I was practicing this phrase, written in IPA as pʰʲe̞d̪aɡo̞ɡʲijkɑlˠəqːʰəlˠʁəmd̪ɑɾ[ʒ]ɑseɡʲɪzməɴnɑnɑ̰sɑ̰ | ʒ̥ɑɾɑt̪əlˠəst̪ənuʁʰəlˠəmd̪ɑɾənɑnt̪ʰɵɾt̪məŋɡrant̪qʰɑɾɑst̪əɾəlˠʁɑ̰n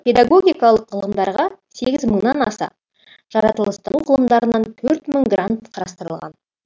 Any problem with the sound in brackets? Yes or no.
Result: yes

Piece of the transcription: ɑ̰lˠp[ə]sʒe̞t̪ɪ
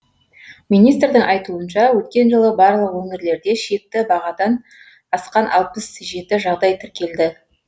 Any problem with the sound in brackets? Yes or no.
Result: no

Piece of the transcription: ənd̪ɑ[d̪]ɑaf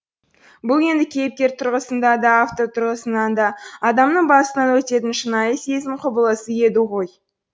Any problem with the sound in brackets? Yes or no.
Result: no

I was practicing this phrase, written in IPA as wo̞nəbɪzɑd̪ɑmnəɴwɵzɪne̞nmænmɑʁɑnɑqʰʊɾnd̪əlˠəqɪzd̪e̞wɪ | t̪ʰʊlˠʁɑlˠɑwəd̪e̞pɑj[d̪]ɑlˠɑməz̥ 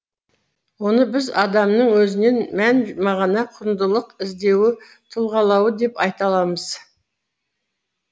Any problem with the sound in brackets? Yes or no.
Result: yes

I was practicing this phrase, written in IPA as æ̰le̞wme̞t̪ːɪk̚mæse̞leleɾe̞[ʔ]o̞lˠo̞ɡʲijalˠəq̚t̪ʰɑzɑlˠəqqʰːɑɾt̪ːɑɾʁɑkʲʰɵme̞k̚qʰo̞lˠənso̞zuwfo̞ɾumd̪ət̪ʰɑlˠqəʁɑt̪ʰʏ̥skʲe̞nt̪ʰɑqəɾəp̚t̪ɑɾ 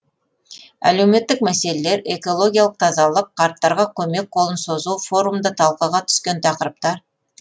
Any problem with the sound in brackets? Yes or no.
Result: yes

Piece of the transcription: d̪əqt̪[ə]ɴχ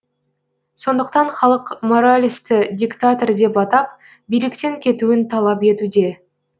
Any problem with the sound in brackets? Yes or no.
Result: yes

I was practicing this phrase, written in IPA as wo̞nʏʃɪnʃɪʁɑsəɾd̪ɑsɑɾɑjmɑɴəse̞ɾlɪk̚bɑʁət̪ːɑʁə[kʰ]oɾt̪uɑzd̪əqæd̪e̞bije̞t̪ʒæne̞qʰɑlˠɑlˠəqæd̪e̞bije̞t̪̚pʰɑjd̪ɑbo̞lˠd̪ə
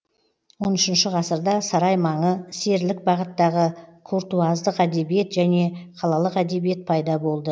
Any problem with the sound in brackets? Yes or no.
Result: no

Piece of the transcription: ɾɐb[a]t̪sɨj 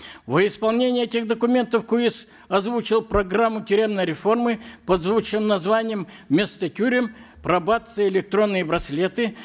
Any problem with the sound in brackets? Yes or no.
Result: no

